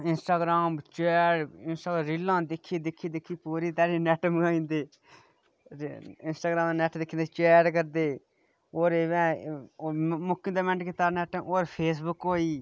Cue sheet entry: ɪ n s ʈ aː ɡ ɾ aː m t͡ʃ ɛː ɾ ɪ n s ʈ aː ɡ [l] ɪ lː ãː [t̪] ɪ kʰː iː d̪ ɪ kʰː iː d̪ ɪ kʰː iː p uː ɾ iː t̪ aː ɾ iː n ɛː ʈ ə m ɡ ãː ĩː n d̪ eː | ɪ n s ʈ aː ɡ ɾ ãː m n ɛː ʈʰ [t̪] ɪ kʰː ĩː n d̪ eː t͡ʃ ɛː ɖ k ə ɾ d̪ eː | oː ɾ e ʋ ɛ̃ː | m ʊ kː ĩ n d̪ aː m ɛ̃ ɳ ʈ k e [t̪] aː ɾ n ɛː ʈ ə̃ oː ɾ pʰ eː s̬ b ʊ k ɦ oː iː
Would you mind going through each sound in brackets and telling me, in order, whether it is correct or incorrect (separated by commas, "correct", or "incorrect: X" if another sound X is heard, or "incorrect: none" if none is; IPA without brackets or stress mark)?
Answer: incorrect: ɾ, incorrect: d̪, incorrect: d̪, correct